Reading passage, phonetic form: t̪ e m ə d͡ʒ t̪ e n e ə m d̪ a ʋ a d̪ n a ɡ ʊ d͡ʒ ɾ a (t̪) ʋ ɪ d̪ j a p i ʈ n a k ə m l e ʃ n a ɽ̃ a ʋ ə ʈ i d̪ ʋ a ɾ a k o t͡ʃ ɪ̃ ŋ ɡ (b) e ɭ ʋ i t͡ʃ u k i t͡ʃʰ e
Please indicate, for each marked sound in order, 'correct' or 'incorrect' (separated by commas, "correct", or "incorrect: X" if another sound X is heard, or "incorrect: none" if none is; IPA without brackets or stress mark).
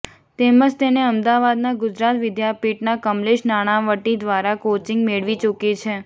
correct, incorrect: m